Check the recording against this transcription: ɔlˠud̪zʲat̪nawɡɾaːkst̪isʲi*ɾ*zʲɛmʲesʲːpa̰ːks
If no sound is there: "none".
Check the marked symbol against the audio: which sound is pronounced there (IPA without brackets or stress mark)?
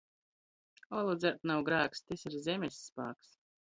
ɾ